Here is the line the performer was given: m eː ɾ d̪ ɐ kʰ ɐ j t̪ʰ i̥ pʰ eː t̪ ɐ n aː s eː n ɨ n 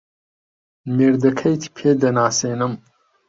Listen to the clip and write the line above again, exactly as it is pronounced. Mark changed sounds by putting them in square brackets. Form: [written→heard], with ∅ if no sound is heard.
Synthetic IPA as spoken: m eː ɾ d̪ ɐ kʰ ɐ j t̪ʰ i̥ pʰ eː [t̪→d̪] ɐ n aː s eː n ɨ [n→m]